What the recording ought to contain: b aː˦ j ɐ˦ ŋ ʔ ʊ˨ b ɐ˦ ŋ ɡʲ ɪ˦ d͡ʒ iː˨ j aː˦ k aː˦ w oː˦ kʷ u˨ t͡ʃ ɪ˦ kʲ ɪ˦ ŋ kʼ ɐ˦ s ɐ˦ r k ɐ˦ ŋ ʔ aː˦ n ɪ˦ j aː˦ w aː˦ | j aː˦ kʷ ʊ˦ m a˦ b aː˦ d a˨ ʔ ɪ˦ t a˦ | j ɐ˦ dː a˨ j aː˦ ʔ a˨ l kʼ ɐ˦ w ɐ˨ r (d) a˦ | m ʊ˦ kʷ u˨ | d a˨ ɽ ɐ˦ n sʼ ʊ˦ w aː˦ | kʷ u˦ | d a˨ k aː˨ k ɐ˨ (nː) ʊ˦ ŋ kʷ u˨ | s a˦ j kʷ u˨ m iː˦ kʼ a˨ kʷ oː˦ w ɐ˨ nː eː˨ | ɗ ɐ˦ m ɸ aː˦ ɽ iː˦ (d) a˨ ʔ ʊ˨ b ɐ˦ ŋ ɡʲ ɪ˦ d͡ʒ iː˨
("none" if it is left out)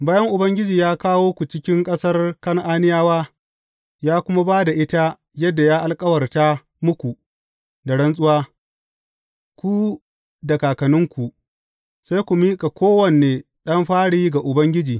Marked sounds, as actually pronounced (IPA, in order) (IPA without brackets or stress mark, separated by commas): t, n, ɡ